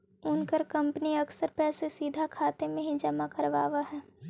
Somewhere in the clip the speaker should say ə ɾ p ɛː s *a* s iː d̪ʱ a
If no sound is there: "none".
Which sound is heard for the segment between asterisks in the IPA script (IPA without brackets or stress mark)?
e